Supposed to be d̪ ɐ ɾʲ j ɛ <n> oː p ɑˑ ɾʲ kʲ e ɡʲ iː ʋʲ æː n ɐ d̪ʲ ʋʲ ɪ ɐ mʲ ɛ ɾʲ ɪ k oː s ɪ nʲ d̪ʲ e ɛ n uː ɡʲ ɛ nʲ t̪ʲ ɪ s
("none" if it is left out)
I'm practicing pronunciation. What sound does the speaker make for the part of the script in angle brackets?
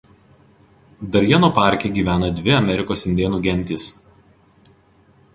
n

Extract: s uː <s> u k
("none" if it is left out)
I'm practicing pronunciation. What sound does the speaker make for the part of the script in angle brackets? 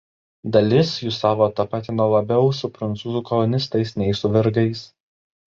z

